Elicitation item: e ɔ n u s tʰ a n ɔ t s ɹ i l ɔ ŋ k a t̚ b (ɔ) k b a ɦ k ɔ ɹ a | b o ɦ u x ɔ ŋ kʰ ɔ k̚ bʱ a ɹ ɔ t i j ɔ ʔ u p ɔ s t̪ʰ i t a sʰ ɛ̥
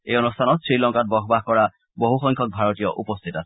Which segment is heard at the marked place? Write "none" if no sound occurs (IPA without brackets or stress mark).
ɔ